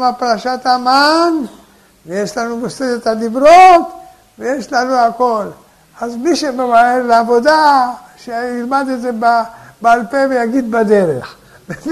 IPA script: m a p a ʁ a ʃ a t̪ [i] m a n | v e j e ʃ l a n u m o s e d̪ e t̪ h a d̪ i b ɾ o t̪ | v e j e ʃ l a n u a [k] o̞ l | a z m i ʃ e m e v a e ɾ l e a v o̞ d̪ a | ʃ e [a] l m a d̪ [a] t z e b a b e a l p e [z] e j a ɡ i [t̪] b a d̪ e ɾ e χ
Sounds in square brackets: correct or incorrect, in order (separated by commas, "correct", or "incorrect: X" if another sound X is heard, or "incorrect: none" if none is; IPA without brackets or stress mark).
incorrect: a, correct, incorrect: i, incorrect: e, incorrect: v, incorrect: d̪